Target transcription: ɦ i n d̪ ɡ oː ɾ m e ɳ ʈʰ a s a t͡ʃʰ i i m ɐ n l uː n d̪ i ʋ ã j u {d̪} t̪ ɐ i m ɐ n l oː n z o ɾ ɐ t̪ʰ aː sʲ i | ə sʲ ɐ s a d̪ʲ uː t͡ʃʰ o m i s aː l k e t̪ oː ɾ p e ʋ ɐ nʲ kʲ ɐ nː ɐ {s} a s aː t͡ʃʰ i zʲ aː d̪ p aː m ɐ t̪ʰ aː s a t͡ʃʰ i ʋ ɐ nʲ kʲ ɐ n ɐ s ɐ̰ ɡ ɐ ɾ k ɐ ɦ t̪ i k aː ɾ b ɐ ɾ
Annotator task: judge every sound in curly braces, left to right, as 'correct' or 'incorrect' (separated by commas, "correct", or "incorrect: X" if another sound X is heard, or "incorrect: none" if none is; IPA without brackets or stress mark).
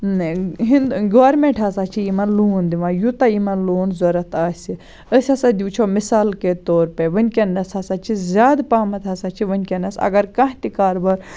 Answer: incorrect: none, correct